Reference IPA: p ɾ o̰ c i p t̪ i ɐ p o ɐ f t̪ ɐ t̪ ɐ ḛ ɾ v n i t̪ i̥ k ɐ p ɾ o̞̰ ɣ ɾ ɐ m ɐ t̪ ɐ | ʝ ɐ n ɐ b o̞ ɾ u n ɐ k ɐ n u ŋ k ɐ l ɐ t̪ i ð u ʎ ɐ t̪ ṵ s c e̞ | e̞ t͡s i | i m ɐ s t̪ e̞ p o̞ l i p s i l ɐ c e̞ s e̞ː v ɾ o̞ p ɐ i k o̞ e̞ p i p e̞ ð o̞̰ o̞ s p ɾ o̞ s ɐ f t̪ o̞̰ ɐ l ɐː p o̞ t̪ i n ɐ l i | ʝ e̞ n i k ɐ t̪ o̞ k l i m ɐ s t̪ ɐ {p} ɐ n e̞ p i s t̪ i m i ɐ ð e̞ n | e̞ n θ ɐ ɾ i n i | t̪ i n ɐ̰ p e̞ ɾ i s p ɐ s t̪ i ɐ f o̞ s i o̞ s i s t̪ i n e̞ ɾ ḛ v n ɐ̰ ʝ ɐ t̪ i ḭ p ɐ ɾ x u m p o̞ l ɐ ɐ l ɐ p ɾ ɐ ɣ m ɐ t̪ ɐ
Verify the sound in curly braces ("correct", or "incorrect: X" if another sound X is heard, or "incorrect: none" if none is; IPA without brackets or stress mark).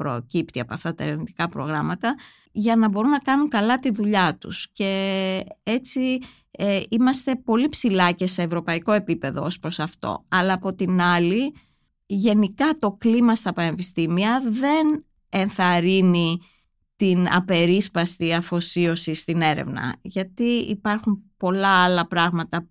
correct